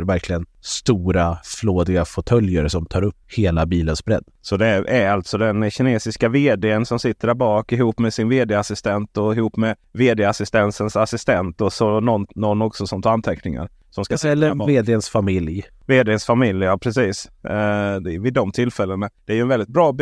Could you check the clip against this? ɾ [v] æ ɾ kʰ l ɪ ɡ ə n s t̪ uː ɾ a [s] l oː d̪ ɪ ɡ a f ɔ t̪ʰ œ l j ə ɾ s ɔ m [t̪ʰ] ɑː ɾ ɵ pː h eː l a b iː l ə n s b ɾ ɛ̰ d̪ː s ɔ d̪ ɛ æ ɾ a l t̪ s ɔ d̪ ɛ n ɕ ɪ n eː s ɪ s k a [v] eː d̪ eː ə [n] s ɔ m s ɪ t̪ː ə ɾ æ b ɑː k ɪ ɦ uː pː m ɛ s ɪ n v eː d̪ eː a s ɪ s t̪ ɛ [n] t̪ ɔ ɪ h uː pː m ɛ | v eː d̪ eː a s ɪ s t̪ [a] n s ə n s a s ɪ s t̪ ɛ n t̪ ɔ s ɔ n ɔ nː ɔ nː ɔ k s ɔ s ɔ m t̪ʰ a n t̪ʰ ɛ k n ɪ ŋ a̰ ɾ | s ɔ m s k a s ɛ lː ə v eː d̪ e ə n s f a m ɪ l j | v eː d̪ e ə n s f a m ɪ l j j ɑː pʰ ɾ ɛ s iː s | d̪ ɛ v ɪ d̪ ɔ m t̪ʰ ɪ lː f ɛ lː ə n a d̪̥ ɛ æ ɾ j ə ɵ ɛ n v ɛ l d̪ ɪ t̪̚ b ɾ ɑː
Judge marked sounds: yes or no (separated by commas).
yes, no, yes, yes, yes, yes, no